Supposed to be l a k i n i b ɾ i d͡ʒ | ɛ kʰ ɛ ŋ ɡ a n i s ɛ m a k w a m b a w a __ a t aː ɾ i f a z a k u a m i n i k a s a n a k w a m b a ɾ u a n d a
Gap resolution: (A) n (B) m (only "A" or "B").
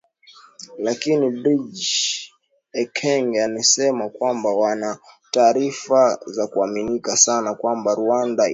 A